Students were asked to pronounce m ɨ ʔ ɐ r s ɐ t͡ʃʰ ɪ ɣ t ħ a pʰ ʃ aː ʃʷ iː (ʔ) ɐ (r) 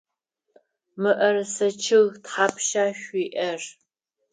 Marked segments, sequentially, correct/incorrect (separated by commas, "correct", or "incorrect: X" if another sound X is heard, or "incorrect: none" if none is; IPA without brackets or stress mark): correct, correct